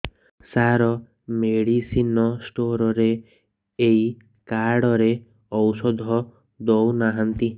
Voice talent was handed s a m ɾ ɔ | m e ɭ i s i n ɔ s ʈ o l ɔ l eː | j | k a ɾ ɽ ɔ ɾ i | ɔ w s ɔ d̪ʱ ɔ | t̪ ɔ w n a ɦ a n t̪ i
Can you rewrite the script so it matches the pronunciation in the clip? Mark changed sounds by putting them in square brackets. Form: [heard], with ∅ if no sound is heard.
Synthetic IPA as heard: s a [∅] ɾ ɔ | m e [ɽ] i s i n ɔ s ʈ o [ɾ] ɔ [ɾ] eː | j | k a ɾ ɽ ɔ ɾ [e] | ɔ w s ɔ d̪ʱ ɔ | [d̪] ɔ w n a ɦ a n t̪ i